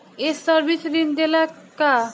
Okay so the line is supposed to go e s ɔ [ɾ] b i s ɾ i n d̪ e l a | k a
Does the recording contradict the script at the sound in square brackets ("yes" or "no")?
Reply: no